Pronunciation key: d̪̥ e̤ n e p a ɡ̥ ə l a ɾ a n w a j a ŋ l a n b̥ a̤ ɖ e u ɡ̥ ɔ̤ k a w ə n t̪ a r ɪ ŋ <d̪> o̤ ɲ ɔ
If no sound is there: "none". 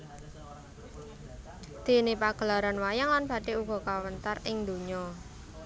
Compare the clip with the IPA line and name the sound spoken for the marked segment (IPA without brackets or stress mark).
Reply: d̪